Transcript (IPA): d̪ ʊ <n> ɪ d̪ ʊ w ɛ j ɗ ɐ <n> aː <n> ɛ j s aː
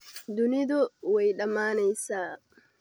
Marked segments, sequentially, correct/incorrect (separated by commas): correct, incorrect, correct